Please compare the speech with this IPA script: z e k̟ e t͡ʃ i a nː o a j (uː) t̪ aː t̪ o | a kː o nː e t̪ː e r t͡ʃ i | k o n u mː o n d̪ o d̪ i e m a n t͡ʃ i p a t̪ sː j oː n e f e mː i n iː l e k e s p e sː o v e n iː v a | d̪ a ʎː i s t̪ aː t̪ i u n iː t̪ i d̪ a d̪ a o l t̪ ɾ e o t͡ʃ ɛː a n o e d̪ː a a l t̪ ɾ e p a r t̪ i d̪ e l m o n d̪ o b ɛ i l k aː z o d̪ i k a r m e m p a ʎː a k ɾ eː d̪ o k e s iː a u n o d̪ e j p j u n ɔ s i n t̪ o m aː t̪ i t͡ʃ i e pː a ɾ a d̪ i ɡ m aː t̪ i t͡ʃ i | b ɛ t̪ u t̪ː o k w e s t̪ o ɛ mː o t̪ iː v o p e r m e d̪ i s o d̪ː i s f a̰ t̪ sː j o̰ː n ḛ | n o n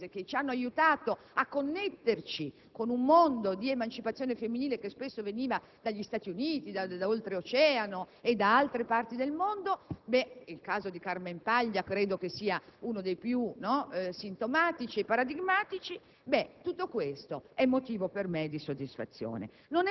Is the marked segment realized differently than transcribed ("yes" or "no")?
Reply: yes